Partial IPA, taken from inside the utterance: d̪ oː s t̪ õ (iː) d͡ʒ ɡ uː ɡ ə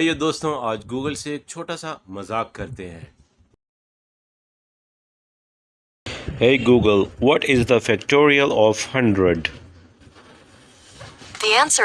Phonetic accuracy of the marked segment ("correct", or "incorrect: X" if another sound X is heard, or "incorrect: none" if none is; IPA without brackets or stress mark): incorrect: aː